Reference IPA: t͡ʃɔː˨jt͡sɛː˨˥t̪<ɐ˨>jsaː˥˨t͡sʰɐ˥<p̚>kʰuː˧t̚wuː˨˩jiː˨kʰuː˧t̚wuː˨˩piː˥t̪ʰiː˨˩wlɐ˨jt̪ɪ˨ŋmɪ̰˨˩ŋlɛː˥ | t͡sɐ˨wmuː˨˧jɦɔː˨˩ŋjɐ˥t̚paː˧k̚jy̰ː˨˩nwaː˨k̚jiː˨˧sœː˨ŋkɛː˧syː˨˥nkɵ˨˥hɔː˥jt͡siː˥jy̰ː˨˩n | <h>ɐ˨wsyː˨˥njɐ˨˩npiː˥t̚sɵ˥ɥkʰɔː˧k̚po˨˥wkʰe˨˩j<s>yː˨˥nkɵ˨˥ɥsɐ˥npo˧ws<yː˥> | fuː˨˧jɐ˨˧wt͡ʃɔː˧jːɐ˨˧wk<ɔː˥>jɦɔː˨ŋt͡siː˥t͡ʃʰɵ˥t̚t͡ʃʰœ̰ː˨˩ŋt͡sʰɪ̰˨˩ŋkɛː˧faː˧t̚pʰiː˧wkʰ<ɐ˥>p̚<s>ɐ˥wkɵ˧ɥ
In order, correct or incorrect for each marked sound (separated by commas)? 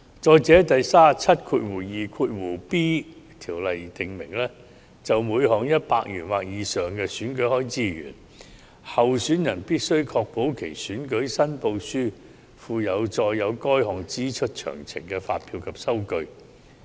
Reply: correct, incorrect, correct, correct, correct, correct, incorrect, correct